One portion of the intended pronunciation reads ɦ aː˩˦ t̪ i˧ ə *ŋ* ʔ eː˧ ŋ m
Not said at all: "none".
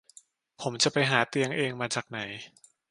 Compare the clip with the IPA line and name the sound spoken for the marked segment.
ŋ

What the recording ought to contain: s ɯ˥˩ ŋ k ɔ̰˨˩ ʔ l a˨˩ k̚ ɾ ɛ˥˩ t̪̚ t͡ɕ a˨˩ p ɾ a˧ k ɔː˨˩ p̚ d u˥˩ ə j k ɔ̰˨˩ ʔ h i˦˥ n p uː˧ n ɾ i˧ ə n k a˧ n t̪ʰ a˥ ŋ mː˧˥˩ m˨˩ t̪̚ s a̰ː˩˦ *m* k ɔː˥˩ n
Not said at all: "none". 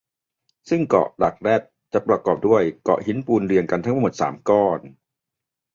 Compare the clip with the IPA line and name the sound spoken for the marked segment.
m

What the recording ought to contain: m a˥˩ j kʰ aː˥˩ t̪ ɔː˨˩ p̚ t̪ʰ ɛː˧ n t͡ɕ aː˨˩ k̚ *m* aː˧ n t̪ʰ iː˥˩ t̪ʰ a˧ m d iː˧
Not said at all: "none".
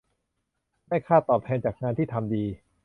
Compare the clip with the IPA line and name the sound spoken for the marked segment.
ŋ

